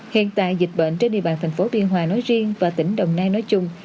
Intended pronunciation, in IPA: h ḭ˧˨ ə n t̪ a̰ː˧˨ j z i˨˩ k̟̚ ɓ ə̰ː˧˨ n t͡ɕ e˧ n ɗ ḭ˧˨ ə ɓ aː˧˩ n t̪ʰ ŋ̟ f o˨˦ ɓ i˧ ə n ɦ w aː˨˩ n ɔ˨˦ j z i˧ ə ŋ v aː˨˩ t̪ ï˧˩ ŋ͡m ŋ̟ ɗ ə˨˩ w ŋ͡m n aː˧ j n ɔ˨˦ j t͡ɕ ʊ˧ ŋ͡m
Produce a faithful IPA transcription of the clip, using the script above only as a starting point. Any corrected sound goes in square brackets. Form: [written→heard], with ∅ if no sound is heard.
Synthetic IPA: h ḭ˧˨ ə n t̪ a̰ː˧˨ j z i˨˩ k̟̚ ɓ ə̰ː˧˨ n t͡ɕ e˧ n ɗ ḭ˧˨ ə ɓ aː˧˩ n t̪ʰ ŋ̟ f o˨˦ ɓ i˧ ə n ɦ w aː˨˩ n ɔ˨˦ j z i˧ ə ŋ v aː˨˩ t̪ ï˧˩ [ŋ͡m→∅] ŋ̟ ɗ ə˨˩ w ŋ͡m n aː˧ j n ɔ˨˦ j t͡ɕ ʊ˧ ŋ͡m

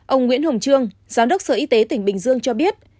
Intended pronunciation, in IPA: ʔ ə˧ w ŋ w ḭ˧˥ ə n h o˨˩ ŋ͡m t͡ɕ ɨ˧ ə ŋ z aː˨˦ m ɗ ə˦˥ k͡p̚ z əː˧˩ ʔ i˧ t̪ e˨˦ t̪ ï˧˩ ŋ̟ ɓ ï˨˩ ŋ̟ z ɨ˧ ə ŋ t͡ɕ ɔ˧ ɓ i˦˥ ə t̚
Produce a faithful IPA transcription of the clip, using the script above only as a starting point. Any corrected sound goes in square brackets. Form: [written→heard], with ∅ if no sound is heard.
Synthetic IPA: ʔ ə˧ w ŋ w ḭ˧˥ ə n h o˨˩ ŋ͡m t͡ɕ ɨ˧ ə ŋ z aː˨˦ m ɗ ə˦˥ k͡p̚ [z→s] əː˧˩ ʔ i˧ t̪ e˨˦ t̪ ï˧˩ ŋ̟ ɓ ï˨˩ ŋ̟ z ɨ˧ ə ŋ t͡ɕ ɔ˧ ɓ i˦˥ ə t̚

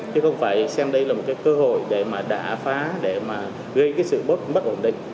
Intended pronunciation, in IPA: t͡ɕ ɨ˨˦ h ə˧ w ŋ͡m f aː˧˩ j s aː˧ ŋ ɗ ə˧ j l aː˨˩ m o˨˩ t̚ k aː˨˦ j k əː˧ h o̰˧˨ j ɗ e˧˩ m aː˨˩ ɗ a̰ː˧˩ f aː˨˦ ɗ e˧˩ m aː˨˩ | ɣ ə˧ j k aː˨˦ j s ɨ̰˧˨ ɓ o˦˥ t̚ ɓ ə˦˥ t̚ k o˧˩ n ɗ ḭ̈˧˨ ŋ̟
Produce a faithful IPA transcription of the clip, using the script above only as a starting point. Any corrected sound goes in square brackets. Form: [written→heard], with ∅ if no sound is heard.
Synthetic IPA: t͡ɕ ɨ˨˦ [h→x] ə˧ w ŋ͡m f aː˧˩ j s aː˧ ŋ ɗ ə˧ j l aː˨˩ m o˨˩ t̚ k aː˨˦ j k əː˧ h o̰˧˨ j ɗ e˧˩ m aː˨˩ ɗ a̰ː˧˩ f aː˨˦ ɗ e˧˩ m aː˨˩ | ɣ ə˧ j k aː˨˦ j s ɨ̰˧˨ ɓ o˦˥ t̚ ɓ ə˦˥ t̚ [k→ʔ] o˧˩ n ɗ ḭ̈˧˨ ŋ̟

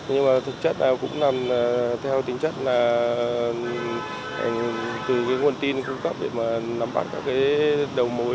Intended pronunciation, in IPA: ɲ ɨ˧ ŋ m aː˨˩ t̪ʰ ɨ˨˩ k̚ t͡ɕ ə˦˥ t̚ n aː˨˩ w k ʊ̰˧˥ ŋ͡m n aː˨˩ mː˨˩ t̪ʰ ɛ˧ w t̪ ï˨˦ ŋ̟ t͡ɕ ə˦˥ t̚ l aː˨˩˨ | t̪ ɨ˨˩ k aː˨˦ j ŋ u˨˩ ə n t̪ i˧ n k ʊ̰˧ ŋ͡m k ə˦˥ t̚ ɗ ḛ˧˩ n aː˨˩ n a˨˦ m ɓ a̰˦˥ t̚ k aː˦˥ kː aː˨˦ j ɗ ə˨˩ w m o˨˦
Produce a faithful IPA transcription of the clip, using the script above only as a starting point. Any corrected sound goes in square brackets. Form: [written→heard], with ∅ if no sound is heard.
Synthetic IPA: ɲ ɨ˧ ŋ m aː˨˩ t̪ʰ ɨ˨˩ k̚ t͡ɕ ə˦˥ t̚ n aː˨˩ w k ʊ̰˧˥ ŋ͡m n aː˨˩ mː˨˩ t̪ʰ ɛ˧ w t̪ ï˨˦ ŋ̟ t͡ɕ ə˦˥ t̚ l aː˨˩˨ | t̪ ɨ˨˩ k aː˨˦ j ŋ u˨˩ ə n t̪ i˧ n k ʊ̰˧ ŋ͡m k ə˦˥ [t̚→p̚] ɗ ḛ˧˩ [n→m] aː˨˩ n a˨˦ m ɓ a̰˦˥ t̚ k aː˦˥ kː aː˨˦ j ɗ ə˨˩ w m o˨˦

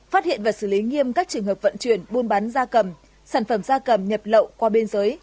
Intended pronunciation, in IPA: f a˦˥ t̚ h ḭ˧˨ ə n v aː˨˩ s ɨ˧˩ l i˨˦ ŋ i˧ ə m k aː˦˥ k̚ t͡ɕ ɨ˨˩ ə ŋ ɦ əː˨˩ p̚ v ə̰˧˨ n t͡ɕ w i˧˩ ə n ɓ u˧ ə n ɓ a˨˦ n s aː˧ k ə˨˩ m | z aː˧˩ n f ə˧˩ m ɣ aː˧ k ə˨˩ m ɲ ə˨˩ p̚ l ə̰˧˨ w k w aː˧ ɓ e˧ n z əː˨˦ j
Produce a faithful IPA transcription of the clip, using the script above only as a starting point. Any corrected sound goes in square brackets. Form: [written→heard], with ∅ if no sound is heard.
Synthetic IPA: f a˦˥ t̚ h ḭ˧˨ ə n v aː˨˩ s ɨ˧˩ l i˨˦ ŋ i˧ ə m k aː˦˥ k̚ t͡ɕ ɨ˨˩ ə ŋ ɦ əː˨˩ p̚ v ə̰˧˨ n t͡ɕ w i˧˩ ə n ɓ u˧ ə n ɓ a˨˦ n [s→z] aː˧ k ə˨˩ m | [z→s] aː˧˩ n f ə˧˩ m [ɣ→z] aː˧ k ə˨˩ m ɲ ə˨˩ p̚ l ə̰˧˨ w k w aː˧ ɓ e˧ n z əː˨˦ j

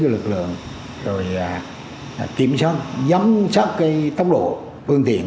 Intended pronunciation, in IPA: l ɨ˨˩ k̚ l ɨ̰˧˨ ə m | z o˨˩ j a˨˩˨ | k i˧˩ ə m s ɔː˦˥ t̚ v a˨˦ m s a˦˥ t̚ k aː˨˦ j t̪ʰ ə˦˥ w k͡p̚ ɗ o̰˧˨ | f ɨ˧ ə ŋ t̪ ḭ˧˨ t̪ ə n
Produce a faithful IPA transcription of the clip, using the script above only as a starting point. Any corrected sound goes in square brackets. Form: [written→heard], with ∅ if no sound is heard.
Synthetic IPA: l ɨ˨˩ k̚ l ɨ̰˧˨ ə [m→ŋ] | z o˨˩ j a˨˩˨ | k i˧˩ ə m s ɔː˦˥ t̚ [v→z] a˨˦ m s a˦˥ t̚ k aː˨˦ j [t̪ʰ→t̪] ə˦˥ w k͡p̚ ɗ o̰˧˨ | f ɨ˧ ə ŋ t̪ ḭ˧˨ [t̪→∅] ə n

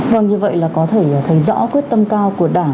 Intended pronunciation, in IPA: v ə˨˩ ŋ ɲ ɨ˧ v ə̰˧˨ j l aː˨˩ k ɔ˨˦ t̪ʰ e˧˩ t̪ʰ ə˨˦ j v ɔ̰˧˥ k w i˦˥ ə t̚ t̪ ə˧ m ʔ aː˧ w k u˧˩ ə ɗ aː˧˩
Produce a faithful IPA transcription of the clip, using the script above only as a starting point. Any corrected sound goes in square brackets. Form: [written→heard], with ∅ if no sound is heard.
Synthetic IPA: v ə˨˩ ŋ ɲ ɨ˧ v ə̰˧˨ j l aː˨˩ k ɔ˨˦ t̪ʰ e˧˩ t̪ʰ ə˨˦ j [v→z] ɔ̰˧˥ k w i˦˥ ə t̚ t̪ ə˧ m [ʔ→k] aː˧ w k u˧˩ ə ɗ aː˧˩

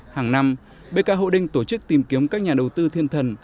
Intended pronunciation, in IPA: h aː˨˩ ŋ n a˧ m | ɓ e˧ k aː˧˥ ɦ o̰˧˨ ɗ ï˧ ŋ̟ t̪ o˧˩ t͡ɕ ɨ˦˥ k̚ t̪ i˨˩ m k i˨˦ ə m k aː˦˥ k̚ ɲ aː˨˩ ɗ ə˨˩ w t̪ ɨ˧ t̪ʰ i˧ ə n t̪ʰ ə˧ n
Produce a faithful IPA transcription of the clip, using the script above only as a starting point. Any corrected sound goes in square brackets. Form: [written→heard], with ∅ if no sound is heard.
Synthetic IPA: h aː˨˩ ŋ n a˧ m | ɓ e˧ k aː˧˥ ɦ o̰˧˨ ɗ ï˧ ŋ̟ t̪ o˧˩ t͡ɕ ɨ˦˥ k̚ t̪ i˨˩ m k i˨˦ ə m k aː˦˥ k̚ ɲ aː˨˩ ɗ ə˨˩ w t̪ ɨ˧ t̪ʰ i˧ ə n t̪ʰ [ə˧→ə˨˩] n

